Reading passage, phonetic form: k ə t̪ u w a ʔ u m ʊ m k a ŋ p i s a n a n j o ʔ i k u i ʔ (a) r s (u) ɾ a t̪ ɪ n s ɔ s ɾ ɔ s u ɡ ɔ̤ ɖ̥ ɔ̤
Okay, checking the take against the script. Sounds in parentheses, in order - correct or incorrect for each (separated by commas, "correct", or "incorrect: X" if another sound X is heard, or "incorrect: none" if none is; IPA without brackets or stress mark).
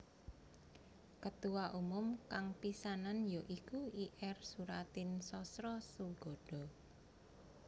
incorrect: ɛ, correct